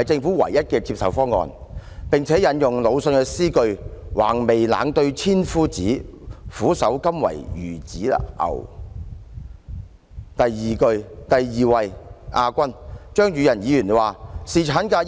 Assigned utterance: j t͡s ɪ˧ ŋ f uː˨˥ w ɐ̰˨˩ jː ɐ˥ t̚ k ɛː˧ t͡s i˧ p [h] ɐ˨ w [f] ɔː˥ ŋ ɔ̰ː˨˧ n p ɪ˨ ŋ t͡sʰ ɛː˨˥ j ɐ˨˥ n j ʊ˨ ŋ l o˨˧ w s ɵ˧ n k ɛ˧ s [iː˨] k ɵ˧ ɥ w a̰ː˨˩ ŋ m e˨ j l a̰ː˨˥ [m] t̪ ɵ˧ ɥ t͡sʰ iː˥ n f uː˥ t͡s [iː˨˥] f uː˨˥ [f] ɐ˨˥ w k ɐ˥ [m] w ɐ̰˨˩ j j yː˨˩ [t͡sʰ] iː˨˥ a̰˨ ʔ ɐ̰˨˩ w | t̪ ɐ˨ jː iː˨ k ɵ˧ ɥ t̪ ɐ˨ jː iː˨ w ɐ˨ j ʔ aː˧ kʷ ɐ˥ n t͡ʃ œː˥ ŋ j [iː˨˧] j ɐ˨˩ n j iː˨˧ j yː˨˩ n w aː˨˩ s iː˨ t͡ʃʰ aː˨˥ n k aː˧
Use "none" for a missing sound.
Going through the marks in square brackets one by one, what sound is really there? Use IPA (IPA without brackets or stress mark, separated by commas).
s, f, iː˥, ŋ, iː˨˥, s, m, t͡s, yː˨˧